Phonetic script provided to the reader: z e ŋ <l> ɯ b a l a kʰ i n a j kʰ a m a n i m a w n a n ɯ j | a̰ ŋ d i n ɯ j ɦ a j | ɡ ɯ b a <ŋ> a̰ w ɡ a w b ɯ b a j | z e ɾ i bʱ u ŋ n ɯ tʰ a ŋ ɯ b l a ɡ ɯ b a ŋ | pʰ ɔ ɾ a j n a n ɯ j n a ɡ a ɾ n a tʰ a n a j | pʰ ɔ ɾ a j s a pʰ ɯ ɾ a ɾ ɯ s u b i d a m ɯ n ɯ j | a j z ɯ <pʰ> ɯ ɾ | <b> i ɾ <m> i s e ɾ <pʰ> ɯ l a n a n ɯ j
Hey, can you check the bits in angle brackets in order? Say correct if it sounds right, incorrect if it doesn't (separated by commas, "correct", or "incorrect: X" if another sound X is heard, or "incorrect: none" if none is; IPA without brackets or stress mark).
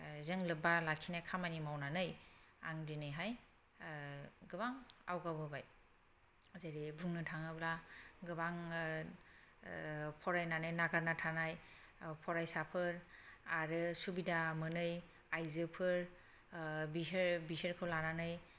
correct, correct, correct, correct, incorrect: b, incorrect: kʰ